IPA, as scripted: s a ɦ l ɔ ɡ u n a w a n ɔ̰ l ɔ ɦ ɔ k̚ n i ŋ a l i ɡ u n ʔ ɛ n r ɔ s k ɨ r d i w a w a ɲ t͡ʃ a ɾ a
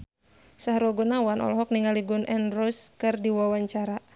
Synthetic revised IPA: s a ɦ ɾ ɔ ɡ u n a w a n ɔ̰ l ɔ ɦ ɔ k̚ n i ŋ a l i ɡ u n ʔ ɛ n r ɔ s k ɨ r d i w a w a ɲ t͡ʃ a ɾ a